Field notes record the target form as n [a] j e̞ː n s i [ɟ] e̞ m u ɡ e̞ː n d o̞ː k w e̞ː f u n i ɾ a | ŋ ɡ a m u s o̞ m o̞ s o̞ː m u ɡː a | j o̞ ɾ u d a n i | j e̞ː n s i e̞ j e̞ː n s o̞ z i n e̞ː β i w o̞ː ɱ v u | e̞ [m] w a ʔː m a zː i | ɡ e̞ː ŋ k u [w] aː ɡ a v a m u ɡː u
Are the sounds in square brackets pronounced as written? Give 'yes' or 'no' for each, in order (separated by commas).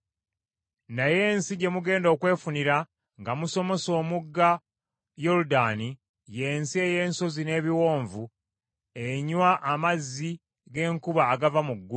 yes, yes, no, no